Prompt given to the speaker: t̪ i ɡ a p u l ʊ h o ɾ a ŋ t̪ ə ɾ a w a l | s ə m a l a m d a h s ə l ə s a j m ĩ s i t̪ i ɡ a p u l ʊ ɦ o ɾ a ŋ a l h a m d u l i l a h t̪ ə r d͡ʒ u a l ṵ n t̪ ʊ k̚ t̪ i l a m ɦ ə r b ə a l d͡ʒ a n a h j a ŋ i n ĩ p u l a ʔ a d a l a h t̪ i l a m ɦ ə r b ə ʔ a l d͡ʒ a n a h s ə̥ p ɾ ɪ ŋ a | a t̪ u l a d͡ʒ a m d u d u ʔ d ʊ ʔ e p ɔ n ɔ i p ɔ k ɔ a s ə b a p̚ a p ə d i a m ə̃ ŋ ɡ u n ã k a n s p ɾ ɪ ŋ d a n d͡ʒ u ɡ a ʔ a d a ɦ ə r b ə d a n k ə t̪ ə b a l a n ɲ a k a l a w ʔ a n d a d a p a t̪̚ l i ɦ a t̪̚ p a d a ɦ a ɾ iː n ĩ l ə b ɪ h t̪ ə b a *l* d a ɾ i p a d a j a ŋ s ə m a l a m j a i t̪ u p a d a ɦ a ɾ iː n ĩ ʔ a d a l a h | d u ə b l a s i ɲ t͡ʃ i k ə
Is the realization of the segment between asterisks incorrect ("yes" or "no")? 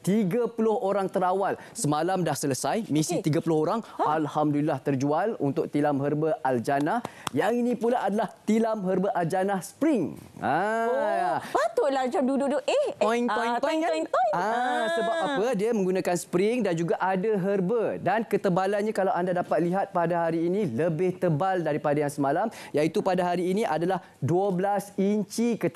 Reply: no